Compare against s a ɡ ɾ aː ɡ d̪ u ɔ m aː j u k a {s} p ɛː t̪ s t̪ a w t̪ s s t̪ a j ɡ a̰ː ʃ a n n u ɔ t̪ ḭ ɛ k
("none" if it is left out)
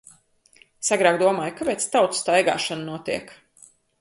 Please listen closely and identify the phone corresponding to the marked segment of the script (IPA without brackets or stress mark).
none